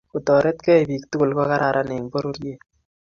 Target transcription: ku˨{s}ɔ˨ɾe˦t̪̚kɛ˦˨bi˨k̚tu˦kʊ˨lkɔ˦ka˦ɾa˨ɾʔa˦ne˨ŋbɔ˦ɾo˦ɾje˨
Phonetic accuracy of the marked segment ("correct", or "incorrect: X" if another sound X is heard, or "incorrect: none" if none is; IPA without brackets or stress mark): incorrect: t